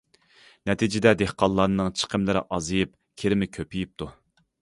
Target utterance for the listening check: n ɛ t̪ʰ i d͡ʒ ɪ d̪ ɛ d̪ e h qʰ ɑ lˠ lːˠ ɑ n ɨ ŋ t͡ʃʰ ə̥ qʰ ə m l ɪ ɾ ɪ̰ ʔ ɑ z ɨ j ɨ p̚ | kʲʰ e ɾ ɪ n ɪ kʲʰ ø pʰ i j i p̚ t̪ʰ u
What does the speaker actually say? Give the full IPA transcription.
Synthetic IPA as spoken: n ɛ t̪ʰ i d͡ʒ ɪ d̪ ɛ d̪ e h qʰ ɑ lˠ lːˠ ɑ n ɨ ŋ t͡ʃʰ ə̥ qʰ ə m l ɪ ɾ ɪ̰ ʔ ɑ z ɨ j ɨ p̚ | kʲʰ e ɾ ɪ m ɪ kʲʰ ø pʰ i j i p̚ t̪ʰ u